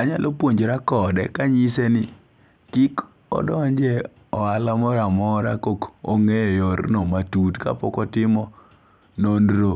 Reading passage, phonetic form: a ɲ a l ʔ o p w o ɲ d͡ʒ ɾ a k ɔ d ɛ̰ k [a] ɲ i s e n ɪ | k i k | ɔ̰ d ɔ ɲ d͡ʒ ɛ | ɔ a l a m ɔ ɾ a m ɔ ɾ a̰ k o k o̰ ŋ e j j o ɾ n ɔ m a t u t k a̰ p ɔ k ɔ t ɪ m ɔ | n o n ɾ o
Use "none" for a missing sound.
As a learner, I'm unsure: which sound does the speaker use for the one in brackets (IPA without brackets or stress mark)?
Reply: a